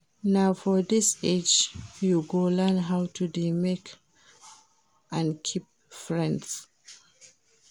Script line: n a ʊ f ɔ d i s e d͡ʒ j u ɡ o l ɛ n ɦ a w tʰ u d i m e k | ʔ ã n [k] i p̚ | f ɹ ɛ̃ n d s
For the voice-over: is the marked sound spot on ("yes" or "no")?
no